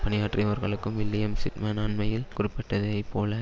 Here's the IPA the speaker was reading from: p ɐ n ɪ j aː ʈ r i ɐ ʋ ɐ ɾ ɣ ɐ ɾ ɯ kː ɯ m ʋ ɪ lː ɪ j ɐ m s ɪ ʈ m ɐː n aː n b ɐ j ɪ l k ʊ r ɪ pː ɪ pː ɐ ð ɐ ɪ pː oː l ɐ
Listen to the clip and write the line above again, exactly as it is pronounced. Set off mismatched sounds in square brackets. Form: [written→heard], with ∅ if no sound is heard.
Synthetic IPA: p ɐ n ɪ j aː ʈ r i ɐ ʋ ɐ ɾ ɣ ɐ [ɾ→ɭ] ɯ kː ɯ m ʋ ɪ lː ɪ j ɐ m s ɪ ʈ m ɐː n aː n [b→m] ɐ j ɪ l k ʊ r ɪ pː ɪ [pː→ʈː] ɐ ð ɐ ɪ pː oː l ɐ